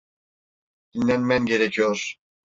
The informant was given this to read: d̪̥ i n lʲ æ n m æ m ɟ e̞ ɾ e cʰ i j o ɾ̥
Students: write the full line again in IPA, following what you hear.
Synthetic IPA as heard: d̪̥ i n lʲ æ n m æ n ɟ e̞ ɾ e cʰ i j o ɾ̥